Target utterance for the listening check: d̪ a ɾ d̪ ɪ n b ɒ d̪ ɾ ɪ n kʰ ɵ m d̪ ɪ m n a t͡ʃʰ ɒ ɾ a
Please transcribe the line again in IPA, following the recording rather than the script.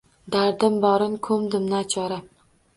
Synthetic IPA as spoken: d̪ a ɾ d̪ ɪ m b ɒ ɾ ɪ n kʰ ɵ m d̪ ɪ m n a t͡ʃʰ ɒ ɾ a